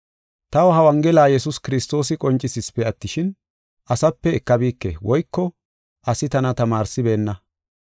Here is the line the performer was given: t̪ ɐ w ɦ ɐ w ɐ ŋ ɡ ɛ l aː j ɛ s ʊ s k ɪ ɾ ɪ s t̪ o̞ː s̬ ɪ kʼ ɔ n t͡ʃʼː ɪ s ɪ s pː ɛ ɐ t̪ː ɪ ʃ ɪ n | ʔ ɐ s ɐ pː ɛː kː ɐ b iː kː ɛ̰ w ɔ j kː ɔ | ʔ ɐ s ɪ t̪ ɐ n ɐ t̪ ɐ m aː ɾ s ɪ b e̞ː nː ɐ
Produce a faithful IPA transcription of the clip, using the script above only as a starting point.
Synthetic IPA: t̪ ɐ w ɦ ɐ w ɐ ŋ ɡ ɛ l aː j ɛ s ʊ s k ɪ ɾ ɪ s t̪ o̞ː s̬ ɪ kʼ ɔ n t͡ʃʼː ɪ s ɪ s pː ɛ ɐ t̪ː ɪ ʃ ɪ n | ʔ ɐ s ɐ pː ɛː kː ɐ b iː kː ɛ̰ w ɔ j kː ɔ | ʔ ɐ s ɪ t̪ ɐ n ɐ t̪ ɐ m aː ɾ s ɪ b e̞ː nː ɐ